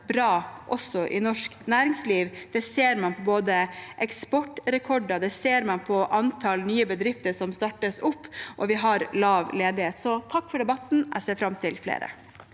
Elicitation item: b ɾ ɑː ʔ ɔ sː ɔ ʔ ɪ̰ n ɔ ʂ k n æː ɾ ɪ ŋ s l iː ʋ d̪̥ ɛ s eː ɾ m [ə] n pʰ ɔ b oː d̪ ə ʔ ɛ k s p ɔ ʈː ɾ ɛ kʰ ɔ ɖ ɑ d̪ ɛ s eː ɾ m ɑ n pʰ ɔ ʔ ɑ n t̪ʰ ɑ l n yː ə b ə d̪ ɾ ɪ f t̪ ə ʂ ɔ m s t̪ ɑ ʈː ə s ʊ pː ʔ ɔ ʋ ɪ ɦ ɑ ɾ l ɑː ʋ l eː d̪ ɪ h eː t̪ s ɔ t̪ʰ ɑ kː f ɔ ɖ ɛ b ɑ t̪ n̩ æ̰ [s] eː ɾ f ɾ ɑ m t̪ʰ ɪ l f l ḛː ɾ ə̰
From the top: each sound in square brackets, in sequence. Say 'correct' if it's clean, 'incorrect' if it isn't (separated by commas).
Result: incorrect, correct